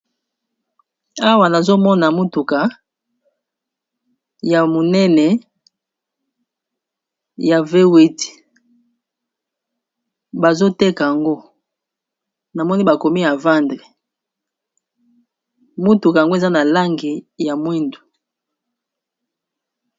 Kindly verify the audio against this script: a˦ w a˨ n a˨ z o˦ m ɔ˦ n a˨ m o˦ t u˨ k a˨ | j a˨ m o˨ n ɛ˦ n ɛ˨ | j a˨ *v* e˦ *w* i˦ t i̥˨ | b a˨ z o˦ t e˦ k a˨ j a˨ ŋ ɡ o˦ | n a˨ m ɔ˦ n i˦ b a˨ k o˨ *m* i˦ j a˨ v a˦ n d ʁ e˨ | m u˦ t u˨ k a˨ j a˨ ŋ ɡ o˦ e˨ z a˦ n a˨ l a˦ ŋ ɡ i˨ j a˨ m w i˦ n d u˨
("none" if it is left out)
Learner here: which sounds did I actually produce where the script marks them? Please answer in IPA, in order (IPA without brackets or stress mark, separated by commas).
v, w, m